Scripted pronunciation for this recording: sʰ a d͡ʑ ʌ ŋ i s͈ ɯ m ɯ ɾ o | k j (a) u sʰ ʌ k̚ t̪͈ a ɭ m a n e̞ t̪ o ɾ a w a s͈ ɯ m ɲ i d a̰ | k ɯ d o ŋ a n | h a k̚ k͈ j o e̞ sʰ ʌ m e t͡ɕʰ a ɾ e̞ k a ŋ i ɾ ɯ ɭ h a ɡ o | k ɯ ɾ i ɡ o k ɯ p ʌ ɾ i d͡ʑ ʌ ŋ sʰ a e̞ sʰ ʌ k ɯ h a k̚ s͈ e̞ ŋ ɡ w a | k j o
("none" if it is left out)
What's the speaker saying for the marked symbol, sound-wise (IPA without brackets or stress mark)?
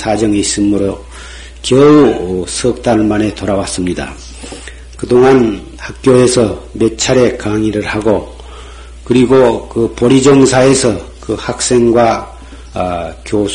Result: ʌ